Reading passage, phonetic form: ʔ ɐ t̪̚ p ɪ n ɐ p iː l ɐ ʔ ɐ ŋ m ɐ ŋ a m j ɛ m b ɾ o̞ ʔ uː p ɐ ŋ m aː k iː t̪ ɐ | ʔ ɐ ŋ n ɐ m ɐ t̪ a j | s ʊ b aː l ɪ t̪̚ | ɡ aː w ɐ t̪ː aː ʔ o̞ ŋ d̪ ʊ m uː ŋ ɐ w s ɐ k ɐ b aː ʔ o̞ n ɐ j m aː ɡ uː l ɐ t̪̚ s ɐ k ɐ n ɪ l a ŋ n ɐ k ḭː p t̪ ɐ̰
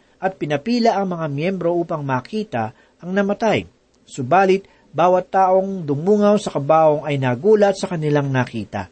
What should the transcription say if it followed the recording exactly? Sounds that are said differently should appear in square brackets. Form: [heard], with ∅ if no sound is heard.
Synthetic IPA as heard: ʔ ɐ t̪̚ p ɪ n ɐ p iː l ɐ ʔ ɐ ŋ m ɐ ŋ a m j ɛ m b ɾ o̞ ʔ uː p ɐ ŋ m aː k iː t̪ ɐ | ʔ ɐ ŋ n ɐ m ɐ t̪ a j | s ʊ b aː l ɪ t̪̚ | [b] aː w ɐ t̪ː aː ʔ o̞ ŋ d̪ ʊ m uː ŋ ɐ w s ɐ k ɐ b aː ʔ o̞ [ŋ] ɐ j [n] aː ɡ uː l ɐ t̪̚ s ɐ k ɐ n ɪ l a ŋ n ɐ k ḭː [∅] t̪ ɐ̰